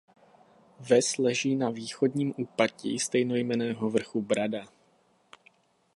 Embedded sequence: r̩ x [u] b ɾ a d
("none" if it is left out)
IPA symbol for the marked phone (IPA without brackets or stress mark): u